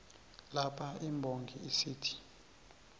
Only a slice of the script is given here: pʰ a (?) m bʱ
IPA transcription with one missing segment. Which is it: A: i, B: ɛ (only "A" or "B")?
A